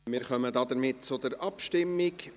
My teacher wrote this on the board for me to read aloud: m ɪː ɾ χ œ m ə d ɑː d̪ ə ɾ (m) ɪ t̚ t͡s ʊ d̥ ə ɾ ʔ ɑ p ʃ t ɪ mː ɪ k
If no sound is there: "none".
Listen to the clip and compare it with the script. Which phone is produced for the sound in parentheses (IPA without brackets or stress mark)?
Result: m